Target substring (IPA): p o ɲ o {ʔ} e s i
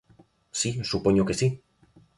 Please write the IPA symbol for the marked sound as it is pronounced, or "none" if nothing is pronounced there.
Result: k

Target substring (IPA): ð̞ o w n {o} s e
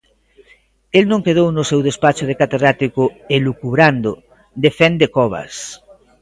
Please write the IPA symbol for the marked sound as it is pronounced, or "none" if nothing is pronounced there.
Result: o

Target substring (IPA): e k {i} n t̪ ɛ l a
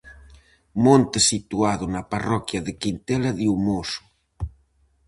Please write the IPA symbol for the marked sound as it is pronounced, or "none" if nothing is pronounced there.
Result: i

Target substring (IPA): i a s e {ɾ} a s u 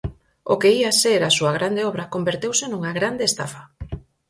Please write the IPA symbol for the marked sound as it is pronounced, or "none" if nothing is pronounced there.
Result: ɾ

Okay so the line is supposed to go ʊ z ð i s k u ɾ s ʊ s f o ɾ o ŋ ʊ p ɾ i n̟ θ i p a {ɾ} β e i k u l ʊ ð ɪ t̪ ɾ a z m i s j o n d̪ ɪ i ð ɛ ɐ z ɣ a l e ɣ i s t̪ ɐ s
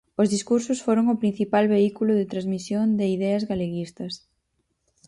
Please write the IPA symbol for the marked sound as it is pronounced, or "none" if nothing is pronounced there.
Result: l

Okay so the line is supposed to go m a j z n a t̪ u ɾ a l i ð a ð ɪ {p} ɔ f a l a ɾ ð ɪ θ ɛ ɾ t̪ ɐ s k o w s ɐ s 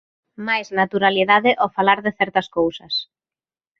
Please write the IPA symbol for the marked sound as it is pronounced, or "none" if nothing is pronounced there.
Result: ʔ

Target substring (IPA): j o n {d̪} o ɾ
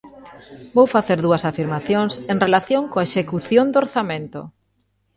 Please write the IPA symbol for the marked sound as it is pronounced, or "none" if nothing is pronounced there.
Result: d̪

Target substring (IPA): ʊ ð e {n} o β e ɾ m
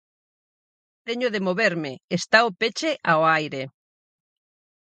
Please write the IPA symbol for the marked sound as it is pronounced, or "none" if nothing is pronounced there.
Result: m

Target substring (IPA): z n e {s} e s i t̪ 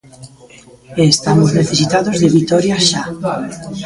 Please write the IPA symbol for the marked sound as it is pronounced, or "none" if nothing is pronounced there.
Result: θ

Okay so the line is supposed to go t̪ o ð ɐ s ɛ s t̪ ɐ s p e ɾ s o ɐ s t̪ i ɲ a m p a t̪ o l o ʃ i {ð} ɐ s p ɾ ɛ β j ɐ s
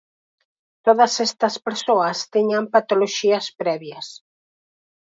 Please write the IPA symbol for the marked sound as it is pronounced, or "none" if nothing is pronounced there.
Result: none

